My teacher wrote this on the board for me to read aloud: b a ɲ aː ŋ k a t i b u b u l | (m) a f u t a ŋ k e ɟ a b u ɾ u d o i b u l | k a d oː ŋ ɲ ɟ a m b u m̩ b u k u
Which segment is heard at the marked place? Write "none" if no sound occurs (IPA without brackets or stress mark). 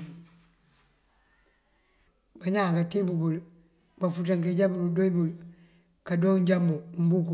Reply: b